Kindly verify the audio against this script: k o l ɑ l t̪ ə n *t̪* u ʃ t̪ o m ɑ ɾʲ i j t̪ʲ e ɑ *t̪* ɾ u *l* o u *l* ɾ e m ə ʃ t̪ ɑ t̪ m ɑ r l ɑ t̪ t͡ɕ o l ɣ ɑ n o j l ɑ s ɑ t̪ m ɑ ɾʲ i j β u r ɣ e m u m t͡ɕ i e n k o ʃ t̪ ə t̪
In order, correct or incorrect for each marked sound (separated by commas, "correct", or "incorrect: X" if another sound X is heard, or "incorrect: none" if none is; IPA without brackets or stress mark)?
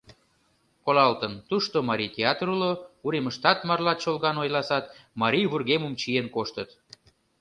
correct, correct, correct, incorrect: none